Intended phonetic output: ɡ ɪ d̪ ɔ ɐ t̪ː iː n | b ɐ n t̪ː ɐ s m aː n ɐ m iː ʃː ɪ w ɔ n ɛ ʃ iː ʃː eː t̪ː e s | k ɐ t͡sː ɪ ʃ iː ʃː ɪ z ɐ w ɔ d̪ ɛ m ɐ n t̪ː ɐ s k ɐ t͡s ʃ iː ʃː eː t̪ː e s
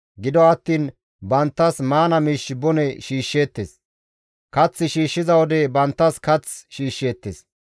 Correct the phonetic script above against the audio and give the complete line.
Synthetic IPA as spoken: ɡ ɪ d̪ ɔ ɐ t̪ː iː n | b ɐ n t̪ː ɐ s m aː n ɐ m iː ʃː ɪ b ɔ n ɛ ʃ iː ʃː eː t̪ː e s | k ɐ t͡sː ɪ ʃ iː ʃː ɪ z ɐ w ɔ d̪ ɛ b ɐ n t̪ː ɐ s k ɐ t͡s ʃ iː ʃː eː t̪ː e s